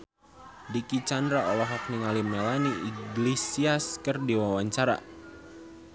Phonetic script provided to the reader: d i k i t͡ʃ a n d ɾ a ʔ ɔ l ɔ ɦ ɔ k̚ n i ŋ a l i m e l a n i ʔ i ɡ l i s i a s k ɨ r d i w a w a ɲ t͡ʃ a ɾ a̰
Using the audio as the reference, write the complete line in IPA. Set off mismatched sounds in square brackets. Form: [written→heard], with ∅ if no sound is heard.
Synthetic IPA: d i k i t͡ʃ a n d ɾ a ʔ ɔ l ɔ ɦ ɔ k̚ n i ŋ a l i m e l a n i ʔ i ɡ l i s i a s k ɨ r d i w a w a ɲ t͡ʃ a ɾ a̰